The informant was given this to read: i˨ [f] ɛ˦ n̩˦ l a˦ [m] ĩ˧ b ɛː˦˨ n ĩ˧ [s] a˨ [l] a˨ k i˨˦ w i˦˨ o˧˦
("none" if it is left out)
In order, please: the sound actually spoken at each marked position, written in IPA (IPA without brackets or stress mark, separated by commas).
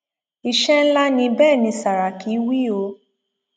ʃ, n, s, ɾ